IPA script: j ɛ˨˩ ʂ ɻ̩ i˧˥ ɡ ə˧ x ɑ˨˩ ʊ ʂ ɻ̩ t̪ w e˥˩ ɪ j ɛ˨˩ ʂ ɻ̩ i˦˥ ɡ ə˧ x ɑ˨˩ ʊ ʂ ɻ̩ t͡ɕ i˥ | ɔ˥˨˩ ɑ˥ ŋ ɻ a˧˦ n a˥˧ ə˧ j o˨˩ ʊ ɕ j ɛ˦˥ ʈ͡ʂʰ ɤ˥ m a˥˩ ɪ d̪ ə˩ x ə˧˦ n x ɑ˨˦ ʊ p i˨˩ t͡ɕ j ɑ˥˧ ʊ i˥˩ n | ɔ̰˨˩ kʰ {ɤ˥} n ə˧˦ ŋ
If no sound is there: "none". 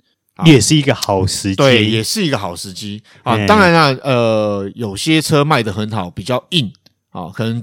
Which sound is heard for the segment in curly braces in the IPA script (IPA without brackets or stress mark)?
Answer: ɤ˨˩